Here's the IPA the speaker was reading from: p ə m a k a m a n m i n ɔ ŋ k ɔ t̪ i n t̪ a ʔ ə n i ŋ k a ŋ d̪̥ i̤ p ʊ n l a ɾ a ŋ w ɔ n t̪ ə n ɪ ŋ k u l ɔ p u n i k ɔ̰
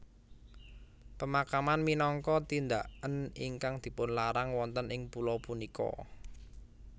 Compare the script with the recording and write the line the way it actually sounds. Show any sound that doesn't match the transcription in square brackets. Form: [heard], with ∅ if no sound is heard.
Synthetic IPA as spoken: p ə m a k a m a n m i n ɔ ŋ k ɔ t̪ i n [d̪] a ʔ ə n i ŋ k a ŋ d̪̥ i̤ p ʊ n l a ɾ a ŋ w ɔ n t̪ ə n ɪ ŋ [p] u l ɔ p u n i k ɔ̰